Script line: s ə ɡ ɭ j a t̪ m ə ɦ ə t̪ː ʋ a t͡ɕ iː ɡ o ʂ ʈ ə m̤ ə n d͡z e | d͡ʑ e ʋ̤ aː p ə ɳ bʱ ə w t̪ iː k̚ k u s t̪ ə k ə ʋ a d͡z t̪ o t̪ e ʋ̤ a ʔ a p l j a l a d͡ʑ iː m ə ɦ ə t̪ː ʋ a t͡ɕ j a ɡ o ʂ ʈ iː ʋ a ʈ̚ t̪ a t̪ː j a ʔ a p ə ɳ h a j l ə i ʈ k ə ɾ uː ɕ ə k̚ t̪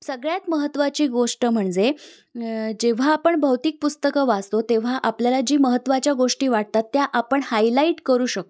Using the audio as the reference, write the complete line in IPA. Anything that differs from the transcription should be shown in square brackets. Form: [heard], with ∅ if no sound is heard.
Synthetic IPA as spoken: s ə ɡ ɭ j a t̪ m ə ɦ ə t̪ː ʋ a t͡ɕ iː ɡ o ʂ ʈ ə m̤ ə [ɳ] d͡z e | d͡ʑ e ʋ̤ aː p ə ɳ bʱ ə w t̪ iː k̚ [p] u s t̪ ə k ə ʋ a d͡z t̪ o t̪ e ʋ̤ a ʔ a p l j a l a d͡ʑ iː m ə ɦ ə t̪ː ʋ a t͡ɕ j a ɡ o ʂ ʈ iː ʋ a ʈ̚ t̪ a t̪ː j a ʔ a p ə ɳ h a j l [a] i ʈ k ə ɾ uː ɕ ə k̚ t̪